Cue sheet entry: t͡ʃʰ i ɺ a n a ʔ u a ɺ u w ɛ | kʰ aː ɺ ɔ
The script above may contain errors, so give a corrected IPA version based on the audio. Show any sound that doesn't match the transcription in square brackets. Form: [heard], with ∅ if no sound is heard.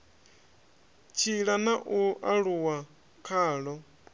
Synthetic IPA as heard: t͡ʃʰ i ɺ a n a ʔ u a ɺ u w [a] | kʰ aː ɺ ɔ